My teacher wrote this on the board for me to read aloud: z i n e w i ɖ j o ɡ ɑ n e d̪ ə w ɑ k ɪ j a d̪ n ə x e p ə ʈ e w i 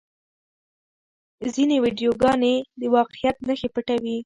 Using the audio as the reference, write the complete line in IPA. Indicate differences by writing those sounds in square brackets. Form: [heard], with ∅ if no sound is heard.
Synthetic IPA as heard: z i n e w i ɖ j o ɡ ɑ n e d̪ ə w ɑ [q] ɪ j a [t̪] n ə x e p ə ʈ [a] w i